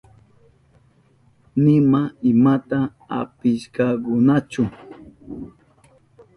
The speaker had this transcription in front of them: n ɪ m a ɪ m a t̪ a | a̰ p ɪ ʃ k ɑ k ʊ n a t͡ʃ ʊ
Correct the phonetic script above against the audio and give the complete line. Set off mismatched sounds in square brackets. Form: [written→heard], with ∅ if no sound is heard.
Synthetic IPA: n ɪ m a ɪ m a t̪ a | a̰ p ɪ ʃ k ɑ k ʊ n a t͡ʃ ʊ